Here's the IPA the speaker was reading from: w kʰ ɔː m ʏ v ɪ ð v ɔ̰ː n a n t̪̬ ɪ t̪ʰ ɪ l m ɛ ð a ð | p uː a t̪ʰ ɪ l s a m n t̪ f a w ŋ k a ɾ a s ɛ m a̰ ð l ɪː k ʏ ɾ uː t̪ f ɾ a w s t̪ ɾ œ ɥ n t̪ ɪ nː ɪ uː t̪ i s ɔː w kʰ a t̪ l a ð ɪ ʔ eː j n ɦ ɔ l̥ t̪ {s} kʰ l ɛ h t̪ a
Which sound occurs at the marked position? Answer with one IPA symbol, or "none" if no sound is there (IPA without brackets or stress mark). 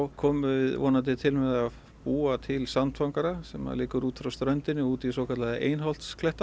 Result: s